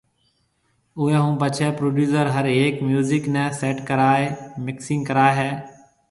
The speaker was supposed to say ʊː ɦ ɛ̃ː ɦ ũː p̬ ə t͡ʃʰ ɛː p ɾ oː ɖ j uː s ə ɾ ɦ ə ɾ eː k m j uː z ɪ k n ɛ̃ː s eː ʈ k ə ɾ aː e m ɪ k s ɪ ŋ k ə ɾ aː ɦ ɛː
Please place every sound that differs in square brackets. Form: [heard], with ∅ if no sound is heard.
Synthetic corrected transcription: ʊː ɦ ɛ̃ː ɦ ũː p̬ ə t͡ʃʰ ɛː p ɾ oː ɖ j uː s ə ɾ ɦ ə ɾ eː k m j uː z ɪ k n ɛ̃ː s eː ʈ k ə ɾ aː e m ɪ k s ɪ ŋ k ə ɾ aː ɦ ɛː